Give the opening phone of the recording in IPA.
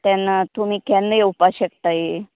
t̪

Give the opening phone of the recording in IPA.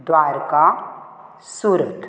d̪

